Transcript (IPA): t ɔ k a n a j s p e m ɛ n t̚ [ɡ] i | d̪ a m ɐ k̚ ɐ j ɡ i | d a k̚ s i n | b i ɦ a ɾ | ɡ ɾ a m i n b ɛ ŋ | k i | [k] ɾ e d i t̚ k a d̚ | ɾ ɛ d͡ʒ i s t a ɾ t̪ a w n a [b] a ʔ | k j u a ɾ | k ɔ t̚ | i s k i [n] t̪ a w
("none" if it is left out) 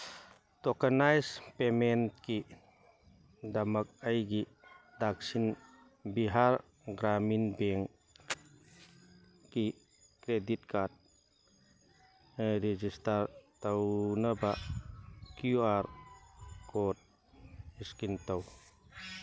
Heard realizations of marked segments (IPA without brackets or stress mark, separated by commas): k, k, b, n